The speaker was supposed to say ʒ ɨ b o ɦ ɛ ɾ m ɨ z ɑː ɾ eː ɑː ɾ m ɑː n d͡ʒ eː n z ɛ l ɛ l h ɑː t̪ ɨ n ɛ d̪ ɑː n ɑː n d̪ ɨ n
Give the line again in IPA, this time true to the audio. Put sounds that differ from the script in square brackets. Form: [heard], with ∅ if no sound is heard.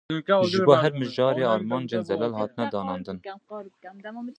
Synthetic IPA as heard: ʒ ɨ b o ɦ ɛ ɾ m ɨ [ʒ] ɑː ɾ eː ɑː ɾ m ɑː n d͡ʒ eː n z ɛ l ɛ l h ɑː t̪ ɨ n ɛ d̪ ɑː n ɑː n d̪ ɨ n